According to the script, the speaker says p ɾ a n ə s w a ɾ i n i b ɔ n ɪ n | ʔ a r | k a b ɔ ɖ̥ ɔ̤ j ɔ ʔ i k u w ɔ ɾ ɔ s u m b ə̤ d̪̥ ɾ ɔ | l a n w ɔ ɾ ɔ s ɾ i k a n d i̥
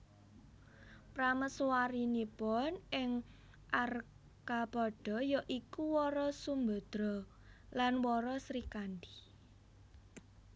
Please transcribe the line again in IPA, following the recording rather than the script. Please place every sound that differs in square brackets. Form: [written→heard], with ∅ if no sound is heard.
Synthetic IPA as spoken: p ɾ a [n→m] ə s w a ɾ i n i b ɔ n ɪ [n→ŋ] | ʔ a r | k a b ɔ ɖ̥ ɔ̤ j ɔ ʔ i k u w ɔ ɾ ɔ s u m b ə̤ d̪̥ ɾ ɔ | l a n w ɔ ɾ ɔ s ɾ i k a n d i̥